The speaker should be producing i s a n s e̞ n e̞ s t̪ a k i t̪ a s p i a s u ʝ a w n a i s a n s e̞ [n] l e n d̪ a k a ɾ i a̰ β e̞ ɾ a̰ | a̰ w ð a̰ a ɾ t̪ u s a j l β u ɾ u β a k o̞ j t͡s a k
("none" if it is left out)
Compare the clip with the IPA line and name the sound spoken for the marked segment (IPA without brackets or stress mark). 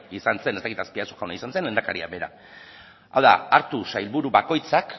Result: n